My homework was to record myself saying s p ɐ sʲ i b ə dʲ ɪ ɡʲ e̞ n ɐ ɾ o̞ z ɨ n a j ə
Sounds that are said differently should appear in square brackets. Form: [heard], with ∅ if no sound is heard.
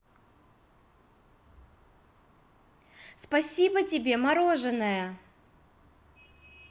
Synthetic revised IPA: s p ɐ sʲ i b ə [tʲ] ɪ [bʲ] e̞ [m] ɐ ɾ o̞ [ʐ] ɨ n [ə] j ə

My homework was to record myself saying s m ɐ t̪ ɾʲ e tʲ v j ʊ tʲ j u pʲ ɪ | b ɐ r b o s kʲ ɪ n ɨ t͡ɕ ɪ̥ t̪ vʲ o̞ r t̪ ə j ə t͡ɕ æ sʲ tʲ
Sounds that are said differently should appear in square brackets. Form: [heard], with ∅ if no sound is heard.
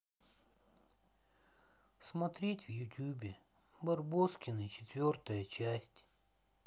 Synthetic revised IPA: s m ɐ t̪ ɾʲ e tʲ v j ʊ tʲ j u [bʲ] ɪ | b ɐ r b o s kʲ ɪ n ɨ t͡ɕ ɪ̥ t̪ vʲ o̞ r t̪ ə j ə t͡ɕ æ sʲ tʲ

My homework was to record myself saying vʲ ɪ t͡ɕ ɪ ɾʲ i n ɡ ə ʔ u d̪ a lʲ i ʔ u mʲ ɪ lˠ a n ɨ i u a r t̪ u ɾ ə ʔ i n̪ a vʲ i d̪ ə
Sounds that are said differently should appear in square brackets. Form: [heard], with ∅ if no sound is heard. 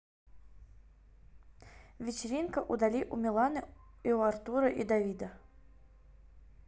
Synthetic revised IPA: vʲ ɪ t͡ɕ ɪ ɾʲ i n [k] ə ʔ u d̪ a lʲ i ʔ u mʲ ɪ lˠ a n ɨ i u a r t̪ u ɾ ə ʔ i [d̪] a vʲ i d̪ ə

